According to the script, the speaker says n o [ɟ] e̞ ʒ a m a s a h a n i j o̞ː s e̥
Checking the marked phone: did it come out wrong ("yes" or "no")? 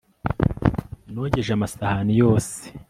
no